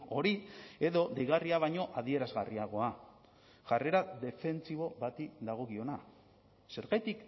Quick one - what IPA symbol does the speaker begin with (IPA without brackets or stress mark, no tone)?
o̞